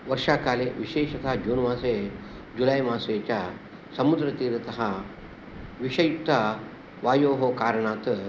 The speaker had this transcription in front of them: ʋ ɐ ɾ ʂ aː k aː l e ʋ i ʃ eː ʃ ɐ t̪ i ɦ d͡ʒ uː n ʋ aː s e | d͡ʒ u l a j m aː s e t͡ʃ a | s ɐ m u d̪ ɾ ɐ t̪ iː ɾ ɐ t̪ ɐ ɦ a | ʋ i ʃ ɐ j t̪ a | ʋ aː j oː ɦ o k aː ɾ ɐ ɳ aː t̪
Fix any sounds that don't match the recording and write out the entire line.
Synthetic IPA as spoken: ʋ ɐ ɾ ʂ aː k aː l e ʋ i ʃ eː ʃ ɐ t̪ a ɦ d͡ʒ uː n ʋ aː s e | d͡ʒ u l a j m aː s e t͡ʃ a | s ɐ m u d̪ ɾ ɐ t̪ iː ɾ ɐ t̪ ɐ ɦ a | ʋ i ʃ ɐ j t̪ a | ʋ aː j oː ɦ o k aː ɾ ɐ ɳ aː t̪